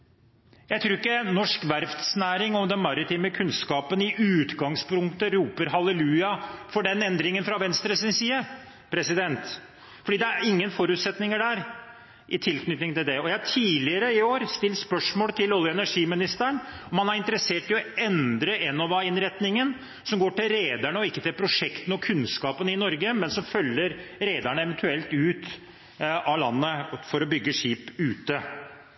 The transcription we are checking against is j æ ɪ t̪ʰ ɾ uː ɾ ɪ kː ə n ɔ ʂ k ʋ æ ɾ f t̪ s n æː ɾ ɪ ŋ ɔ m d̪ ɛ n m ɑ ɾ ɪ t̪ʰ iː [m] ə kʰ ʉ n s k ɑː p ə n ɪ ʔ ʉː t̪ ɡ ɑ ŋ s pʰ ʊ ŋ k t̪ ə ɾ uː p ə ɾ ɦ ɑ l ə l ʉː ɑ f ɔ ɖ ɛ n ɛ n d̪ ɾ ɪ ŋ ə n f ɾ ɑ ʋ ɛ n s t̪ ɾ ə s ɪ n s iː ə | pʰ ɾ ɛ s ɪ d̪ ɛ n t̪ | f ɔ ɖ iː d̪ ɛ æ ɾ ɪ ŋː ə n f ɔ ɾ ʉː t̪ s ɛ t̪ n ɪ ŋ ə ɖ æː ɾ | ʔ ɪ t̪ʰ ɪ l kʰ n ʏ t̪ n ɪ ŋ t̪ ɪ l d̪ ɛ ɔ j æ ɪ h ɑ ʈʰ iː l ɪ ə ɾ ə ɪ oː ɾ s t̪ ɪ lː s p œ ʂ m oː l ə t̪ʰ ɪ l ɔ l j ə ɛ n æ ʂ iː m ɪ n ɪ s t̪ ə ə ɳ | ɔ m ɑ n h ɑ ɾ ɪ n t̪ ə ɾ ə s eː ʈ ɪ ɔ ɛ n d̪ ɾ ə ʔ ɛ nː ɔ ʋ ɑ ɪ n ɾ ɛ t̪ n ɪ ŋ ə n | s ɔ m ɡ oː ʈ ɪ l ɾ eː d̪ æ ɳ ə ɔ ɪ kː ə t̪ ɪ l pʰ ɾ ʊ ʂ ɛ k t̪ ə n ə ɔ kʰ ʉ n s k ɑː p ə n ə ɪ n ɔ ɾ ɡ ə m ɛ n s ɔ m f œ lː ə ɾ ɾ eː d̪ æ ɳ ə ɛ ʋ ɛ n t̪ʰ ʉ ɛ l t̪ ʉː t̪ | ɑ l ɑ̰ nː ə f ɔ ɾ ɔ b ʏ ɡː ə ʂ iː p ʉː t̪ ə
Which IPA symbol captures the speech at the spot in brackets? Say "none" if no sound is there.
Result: m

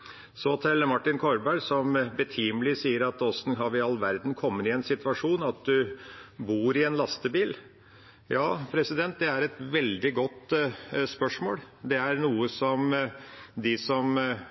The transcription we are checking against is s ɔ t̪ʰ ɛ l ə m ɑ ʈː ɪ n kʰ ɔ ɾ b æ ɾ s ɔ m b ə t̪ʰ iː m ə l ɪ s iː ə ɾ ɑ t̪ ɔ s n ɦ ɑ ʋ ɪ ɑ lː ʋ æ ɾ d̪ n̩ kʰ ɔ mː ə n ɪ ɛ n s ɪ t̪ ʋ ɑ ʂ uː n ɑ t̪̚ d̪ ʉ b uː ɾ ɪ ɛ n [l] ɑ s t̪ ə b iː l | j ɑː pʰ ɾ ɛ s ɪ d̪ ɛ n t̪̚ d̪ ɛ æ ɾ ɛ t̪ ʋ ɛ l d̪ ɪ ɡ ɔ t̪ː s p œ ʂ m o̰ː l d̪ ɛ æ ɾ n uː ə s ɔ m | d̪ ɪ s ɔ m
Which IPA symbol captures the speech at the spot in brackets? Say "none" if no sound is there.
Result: l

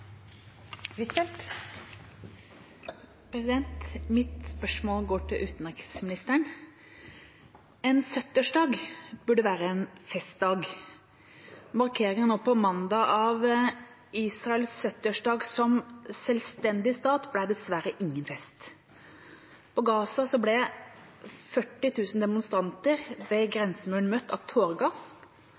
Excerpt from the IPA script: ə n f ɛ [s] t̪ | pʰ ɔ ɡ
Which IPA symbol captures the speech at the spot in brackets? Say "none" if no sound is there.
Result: s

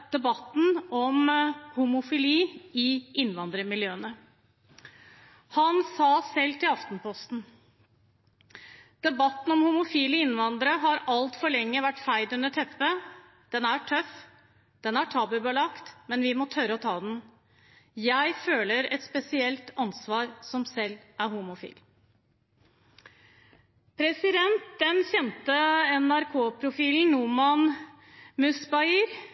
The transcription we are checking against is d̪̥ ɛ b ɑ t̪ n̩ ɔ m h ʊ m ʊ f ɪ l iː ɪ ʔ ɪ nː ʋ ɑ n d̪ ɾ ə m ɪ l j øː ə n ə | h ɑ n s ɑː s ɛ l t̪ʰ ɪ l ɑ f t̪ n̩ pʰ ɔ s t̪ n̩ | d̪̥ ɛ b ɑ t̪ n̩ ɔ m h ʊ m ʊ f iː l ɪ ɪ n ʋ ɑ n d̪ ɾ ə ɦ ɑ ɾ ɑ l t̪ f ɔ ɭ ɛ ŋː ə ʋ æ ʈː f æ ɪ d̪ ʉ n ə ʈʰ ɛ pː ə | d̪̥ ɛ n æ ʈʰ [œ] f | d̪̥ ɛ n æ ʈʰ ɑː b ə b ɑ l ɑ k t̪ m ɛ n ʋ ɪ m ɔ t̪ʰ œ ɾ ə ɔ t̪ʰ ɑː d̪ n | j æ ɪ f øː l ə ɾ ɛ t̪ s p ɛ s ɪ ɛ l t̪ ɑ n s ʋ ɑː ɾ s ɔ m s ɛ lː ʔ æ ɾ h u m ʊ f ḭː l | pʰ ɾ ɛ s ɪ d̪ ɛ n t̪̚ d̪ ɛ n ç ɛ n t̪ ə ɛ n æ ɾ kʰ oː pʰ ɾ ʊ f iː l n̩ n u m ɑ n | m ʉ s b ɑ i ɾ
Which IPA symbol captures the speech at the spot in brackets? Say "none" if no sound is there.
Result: œ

